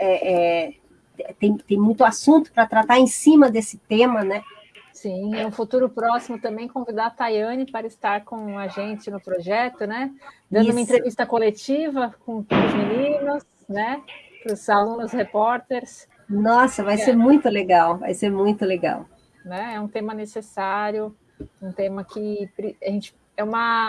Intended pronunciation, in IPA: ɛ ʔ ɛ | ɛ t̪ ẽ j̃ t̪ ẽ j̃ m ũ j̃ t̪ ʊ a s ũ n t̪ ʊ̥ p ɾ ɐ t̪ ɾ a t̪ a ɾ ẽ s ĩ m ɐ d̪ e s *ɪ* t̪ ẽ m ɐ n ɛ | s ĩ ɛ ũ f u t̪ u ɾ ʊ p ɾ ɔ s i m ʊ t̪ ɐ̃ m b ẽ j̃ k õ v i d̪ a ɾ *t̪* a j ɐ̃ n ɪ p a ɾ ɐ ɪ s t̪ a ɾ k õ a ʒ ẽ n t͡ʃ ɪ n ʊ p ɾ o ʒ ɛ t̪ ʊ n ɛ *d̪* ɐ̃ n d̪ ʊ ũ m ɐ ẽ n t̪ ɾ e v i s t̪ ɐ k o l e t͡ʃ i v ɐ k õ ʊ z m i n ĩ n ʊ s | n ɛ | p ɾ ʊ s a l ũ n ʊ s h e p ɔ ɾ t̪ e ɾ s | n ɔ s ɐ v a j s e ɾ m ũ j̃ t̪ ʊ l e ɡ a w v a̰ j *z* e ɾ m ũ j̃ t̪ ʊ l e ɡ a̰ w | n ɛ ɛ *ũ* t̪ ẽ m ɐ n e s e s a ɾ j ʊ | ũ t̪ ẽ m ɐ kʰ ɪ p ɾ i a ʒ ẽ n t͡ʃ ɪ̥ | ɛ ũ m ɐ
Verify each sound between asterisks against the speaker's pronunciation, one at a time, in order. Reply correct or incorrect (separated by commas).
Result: correct, correct, correct, incorrect, correct